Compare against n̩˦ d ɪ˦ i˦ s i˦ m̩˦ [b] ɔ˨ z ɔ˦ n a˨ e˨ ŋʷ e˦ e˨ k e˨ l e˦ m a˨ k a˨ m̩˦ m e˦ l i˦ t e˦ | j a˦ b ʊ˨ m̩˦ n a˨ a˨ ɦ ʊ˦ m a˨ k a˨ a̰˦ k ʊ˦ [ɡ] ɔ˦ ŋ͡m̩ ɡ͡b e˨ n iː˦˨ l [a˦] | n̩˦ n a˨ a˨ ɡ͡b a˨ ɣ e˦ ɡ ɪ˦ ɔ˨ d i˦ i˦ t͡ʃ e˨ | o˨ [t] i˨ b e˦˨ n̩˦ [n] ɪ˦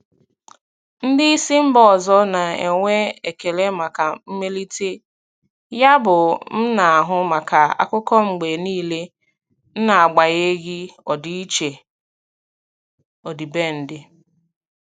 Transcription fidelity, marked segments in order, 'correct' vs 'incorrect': correct, incorrect, incorrect, incorrect, incorrect

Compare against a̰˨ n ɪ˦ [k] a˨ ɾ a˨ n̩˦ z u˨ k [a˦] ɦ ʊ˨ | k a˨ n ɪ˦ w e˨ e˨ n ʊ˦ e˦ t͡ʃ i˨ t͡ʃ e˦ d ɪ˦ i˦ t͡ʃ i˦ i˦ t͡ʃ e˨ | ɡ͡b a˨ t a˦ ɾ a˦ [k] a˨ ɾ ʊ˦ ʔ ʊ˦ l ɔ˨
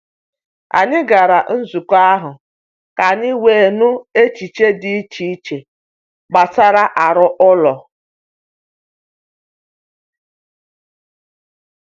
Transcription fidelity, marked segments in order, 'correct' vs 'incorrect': incorrect, correct, incorrect

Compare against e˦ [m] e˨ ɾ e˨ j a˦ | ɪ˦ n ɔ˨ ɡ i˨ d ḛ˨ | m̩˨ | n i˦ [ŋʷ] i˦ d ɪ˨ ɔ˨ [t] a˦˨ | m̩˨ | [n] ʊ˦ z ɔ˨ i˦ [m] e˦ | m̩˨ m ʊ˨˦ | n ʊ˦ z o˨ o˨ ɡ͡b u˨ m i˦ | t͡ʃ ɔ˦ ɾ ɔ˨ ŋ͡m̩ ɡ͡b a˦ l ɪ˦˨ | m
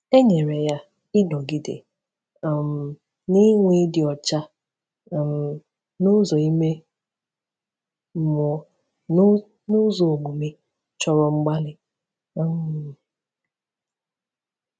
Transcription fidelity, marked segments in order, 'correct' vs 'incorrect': incorrect, correct, incorrect, correct, correct

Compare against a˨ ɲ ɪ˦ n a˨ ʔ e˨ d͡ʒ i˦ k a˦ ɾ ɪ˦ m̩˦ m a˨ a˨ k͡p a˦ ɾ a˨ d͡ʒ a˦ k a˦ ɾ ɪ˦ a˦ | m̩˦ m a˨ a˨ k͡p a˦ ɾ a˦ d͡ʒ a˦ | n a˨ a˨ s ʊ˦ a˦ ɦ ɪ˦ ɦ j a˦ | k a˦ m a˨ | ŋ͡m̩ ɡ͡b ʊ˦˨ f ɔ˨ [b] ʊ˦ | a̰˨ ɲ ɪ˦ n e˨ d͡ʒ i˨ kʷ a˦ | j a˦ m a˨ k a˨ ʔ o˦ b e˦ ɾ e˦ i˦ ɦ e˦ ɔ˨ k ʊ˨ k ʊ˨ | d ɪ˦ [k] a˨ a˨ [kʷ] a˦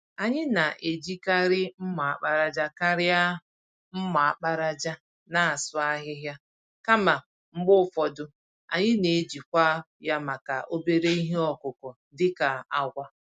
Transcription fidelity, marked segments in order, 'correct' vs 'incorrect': incorrect, correct, incorrect

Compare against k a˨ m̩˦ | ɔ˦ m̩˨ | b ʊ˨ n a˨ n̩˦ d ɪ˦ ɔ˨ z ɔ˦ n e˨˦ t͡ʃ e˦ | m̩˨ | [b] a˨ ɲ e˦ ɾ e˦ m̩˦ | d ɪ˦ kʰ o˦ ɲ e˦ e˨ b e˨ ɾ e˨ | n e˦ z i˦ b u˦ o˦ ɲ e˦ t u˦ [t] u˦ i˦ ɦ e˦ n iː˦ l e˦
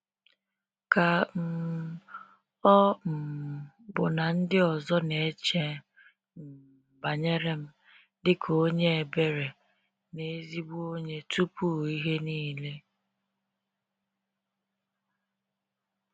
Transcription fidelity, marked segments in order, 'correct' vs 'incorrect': correct, incorrect

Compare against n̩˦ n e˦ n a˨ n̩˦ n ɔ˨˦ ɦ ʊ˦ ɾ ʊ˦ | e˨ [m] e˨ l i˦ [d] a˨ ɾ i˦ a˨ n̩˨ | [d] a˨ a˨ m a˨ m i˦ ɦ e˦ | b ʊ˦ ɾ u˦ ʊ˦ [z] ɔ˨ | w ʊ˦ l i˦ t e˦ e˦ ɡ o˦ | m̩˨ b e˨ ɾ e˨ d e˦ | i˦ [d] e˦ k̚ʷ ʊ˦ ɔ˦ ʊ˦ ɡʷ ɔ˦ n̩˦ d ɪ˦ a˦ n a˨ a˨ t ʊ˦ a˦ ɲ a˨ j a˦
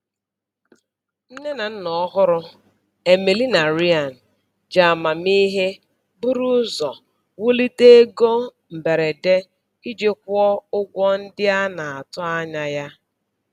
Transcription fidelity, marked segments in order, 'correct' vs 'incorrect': correct, incorrect, incorrect, correct, incorrect

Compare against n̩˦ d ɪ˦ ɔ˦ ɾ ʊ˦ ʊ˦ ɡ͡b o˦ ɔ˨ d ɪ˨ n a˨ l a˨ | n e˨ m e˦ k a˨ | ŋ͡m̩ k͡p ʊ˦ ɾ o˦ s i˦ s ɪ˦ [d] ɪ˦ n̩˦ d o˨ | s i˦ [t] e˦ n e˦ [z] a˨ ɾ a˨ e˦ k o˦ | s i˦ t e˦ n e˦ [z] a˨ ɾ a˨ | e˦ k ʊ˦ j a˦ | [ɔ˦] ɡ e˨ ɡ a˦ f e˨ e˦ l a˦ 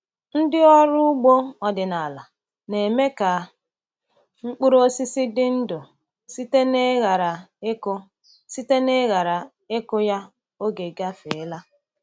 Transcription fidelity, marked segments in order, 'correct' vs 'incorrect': correct, correct, incorrect, incorrect, incorrect

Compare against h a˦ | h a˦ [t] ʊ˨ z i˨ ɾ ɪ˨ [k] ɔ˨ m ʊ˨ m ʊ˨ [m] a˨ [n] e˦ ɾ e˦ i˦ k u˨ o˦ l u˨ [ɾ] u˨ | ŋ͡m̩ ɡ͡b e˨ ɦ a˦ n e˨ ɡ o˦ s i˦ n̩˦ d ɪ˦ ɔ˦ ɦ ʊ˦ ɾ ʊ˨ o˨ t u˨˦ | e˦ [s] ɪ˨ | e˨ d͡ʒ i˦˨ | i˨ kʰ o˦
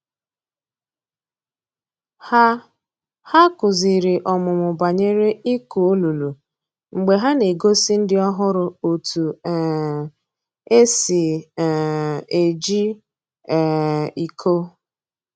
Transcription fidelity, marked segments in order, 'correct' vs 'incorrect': incorrect, incorrect, incorrect, incorrect, incorrect, correct

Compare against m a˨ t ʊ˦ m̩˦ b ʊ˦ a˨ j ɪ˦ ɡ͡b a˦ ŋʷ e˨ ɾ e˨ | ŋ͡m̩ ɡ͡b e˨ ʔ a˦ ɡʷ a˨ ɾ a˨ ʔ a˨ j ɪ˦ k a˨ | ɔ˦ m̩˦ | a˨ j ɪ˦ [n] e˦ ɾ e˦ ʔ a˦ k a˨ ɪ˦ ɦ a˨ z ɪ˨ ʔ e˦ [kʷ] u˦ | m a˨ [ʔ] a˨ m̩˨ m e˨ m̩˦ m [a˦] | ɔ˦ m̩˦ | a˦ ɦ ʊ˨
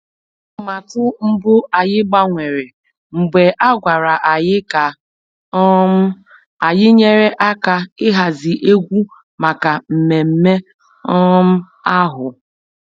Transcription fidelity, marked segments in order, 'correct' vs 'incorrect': incorrect, incorrect, incorrect, incorrect

